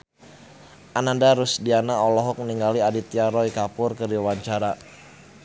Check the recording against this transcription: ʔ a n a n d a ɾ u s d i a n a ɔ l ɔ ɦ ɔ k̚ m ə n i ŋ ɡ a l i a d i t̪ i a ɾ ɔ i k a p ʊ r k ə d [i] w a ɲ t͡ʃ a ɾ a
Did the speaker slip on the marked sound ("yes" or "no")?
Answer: no